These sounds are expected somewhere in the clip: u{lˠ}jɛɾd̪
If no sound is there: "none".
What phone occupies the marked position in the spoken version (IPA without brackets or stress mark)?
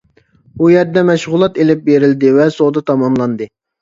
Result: none